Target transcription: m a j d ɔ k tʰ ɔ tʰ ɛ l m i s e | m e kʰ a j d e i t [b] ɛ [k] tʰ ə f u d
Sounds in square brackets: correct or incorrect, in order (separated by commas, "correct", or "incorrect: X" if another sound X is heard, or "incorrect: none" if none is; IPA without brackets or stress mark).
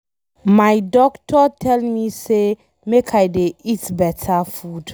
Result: correct, incorrect: none